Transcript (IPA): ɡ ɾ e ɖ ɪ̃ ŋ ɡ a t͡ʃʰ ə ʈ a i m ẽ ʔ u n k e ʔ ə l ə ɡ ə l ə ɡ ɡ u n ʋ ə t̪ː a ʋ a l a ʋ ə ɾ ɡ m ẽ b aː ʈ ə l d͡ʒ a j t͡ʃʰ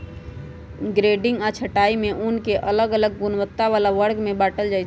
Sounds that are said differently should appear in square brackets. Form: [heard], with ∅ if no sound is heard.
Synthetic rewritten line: ɡ ɾ e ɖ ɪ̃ ŋ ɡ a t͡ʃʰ ə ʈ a i m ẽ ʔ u n k e ʔ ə l ə ɡ ə l ə ɡ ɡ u n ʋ ə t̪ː a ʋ a l a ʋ ə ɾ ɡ m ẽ b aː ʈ ə l d͡ʒ a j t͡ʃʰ